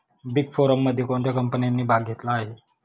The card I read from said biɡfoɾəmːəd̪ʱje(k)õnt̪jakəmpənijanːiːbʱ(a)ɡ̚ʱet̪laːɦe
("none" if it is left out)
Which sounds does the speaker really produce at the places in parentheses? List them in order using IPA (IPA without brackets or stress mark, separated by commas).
k, a